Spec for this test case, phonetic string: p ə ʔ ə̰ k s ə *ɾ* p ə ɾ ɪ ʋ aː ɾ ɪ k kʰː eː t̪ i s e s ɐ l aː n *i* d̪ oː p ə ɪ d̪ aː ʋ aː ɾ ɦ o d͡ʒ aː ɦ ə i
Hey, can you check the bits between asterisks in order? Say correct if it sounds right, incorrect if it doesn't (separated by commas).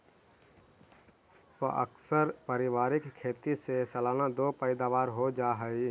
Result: correct, incorrect